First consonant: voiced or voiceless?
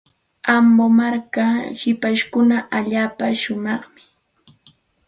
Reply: voiced